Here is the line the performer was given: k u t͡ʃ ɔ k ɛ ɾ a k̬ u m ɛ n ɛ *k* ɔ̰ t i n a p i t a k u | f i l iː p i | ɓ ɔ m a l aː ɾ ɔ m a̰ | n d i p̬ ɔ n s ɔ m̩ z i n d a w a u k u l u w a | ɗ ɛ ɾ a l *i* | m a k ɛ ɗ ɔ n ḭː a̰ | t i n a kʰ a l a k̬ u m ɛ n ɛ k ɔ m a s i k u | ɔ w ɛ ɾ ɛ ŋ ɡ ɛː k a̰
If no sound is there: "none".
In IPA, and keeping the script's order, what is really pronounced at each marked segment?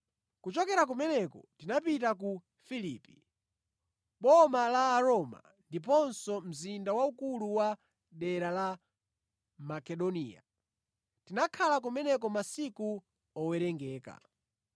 k, a

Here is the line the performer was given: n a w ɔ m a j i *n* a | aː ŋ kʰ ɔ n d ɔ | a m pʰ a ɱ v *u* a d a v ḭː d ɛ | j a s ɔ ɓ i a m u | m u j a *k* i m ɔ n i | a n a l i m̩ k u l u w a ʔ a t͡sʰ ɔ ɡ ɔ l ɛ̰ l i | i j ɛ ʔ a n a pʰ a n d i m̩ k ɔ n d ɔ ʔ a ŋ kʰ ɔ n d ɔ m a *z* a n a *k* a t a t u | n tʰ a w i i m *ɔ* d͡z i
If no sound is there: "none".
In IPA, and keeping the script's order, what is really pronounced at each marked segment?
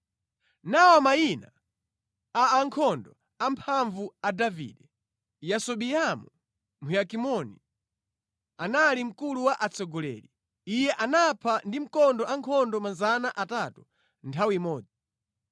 n, u, k, z, ʔ, ɔː

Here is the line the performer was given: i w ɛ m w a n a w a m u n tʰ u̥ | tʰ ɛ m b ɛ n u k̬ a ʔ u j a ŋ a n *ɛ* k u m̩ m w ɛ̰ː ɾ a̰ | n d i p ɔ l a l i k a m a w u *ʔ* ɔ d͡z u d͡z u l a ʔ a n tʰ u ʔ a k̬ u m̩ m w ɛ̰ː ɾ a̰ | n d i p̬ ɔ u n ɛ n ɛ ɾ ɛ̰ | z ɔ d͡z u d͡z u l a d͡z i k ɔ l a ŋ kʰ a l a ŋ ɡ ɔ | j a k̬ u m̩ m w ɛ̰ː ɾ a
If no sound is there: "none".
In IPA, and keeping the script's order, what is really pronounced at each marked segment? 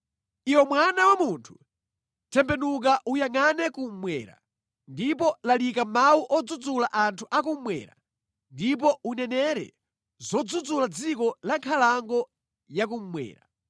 ɛ, ʔ

